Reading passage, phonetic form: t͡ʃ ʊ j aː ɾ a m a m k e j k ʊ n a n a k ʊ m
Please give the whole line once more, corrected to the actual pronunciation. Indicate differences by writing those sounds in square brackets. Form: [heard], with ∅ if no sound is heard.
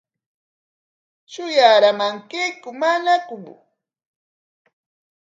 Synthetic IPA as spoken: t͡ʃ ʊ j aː ɾ a m a [ŋ] k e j k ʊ [m] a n a k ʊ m